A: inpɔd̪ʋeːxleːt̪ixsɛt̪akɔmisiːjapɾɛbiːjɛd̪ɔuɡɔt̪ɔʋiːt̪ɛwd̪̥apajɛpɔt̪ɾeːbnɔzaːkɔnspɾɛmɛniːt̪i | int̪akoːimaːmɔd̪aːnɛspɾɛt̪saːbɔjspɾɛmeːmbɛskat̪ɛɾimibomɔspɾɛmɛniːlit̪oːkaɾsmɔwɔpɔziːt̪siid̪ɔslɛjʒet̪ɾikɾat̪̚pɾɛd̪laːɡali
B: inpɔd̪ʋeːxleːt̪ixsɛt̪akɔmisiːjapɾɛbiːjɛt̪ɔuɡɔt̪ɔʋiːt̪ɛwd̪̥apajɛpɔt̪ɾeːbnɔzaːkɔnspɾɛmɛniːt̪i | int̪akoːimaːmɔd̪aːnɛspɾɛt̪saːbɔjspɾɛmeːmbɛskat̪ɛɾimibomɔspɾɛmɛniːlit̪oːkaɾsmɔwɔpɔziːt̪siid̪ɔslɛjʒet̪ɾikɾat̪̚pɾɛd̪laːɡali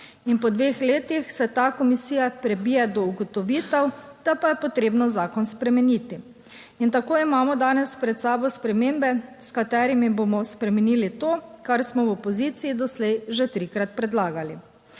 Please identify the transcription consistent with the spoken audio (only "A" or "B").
A